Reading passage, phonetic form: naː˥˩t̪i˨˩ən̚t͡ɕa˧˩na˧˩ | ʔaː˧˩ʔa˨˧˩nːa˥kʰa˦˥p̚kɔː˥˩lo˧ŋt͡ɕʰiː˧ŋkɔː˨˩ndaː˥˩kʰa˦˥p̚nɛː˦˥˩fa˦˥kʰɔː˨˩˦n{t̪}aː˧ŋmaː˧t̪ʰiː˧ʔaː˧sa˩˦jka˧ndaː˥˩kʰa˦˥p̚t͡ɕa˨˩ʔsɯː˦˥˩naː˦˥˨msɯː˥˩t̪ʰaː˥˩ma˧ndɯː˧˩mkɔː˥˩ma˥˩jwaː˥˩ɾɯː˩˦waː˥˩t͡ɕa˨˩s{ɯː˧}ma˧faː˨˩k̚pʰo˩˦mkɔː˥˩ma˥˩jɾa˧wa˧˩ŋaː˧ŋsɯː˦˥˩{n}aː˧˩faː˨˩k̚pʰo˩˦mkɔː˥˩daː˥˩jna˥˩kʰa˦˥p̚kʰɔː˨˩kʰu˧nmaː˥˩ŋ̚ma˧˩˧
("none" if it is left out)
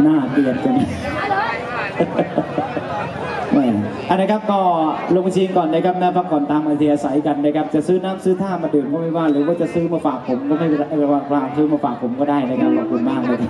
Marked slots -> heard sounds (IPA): t̪, ɯː˦˥, m

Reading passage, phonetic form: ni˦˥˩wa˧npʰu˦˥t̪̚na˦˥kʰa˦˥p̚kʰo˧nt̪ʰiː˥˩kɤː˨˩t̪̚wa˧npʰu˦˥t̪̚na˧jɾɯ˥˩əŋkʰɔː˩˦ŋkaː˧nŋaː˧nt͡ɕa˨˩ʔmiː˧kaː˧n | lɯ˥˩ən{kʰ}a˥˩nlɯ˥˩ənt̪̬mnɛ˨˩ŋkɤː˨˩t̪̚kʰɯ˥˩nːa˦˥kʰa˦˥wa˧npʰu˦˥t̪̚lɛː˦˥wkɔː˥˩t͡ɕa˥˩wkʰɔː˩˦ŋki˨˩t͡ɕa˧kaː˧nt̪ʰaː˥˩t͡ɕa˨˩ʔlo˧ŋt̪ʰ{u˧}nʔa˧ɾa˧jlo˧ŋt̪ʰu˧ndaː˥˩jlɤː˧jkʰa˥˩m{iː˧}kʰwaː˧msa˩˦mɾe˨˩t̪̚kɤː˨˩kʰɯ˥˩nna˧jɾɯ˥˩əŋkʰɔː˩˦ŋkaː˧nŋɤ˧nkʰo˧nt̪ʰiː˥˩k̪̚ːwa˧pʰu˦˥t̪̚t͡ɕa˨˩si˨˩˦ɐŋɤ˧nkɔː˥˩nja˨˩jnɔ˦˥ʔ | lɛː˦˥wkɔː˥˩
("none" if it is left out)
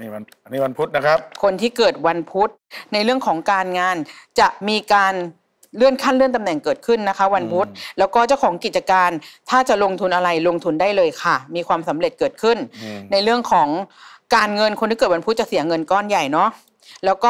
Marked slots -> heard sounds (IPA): kʰ, u˧, iː˧

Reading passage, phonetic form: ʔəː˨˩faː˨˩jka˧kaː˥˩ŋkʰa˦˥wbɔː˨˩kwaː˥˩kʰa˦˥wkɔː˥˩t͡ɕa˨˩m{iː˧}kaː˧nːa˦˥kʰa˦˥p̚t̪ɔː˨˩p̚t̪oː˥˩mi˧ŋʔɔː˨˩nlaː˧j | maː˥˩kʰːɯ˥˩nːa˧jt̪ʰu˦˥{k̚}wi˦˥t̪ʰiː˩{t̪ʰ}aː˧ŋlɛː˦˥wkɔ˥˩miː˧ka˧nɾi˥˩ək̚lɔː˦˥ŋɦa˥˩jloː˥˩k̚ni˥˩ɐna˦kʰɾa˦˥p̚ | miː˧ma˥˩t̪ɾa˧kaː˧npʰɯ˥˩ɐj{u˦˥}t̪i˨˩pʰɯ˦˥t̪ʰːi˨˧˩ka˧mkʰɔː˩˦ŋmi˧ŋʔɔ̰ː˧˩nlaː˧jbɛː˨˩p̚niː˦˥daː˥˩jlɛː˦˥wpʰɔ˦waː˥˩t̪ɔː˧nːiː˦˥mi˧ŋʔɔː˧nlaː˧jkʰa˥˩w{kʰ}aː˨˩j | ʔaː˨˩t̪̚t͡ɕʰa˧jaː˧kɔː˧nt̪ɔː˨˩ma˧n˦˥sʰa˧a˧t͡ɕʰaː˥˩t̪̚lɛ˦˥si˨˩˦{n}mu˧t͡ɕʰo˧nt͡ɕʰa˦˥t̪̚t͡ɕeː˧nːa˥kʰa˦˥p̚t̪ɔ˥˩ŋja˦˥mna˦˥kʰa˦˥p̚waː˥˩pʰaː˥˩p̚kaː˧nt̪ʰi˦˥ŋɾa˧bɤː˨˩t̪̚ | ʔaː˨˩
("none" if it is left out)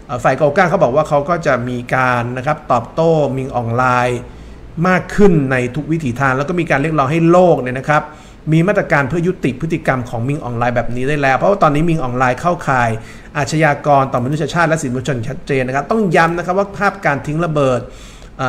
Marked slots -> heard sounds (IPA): iː˧, k̚, t̪ʰ, u˦˥, kʰ, n

